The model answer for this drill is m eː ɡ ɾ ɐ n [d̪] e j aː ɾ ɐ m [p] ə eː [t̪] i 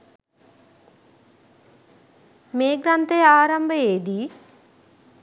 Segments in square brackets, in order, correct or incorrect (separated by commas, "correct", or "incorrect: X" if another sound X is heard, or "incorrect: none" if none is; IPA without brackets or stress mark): incorrect: t̪, incorrect: b, incorrect: d̪